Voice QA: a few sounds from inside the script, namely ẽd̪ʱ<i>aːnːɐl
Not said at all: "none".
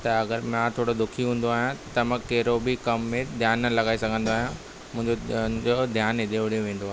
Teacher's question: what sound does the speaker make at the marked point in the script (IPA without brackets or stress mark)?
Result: j